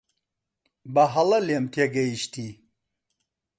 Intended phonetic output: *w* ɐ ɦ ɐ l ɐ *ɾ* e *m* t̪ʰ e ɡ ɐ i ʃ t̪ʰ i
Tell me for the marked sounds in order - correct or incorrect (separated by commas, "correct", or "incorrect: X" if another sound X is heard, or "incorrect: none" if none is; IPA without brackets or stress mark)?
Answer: incorrect: b, incorrect: l, correct